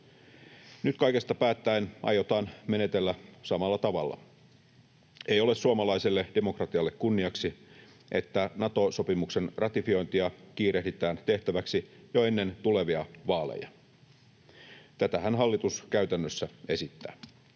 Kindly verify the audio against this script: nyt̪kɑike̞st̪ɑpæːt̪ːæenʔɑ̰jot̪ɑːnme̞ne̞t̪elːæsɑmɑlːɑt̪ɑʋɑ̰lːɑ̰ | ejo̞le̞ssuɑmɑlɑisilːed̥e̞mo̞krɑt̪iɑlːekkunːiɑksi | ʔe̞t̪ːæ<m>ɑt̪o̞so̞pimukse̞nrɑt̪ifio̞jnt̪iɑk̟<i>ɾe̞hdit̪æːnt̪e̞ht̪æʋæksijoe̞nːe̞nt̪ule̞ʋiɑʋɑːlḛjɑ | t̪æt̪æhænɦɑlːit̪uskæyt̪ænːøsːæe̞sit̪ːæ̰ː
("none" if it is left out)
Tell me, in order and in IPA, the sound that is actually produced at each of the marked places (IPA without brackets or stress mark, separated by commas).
n, iː